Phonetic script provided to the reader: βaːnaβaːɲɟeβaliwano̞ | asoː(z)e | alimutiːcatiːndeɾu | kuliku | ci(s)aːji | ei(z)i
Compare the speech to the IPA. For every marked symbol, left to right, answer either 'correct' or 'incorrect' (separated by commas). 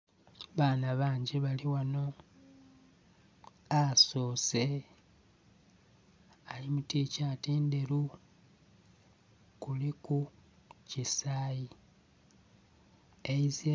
incorrect, correct, correct